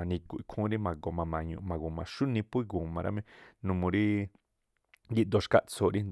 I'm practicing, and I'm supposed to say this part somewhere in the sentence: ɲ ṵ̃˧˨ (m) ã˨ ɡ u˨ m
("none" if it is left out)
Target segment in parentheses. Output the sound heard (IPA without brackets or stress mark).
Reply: m